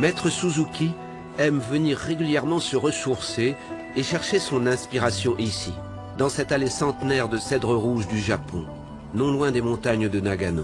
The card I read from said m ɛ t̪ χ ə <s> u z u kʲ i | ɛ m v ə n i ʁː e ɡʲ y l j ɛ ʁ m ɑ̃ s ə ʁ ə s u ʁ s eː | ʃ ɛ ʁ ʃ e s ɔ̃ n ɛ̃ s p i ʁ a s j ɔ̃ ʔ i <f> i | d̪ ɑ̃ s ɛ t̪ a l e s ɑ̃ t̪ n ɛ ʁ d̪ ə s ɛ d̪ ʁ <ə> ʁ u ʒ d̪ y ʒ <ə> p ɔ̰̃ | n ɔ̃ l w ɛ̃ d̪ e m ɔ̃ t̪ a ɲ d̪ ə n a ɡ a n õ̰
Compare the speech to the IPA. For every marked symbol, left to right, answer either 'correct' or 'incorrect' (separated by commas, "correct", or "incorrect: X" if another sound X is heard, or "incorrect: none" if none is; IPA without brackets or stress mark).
correct, incorrect: s, correct, incorrect: a